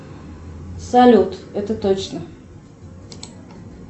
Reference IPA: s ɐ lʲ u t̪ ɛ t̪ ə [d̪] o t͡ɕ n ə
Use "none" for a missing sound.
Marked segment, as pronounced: t̪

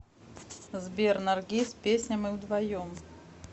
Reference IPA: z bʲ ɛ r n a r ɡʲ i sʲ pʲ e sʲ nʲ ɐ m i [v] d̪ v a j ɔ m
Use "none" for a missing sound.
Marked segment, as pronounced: w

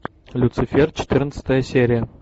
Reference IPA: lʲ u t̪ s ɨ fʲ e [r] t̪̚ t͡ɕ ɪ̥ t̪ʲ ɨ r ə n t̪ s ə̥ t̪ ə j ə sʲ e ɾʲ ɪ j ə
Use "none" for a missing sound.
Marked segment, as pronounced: r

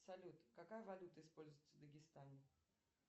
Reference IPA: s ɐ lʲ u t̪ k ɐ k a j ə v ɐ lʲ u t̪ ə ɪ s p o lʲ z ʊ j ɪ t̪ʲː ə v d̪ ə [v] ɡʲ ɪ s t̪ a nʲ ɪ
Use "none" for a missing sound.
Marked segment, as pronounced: none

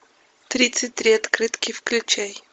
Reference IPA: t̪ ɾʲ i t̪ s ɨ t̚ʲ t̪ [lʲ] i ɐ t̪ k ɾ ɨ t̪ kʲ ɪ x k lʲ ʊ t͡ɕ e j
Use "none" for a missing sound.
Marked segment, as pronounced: ɾʲ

